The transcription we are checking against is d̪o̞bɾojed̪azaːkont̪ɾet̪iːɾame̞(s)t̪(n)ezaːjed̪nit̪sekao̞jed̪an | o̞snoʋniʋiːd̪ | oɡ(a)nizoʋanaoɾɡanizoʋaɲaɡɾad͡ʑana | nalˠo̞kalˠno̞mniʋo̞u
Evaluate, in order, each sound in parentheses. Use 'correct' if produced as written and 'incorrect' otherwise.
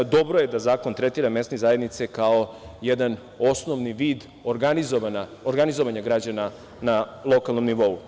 correct, correct, correct

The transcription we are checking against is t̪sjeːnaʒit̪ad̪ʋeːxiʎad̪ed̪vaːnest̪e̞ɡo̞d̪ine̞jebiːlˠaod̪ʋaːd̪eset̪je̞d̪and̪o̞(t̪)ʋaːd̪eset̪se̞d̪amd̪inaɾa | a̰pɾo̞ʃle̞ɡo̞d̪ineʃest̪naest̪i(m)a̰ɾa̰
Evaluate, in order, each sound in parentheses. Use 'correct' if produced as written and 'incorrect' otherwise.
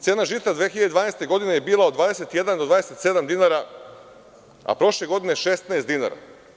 incorrect: d̪, incorrect: n

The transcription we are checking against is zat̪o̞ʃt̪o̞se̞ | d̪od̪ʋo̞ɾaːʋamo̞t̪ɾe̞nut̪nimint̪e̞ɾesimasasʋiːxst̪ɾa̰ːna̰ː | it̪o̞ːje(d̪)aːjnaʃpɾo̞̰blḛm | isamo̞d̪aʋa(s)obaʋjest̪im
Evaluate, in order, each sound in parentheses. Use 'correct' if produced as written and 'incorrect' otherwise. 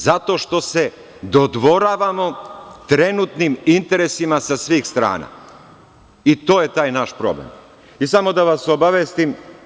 incorrect: t̪, correct

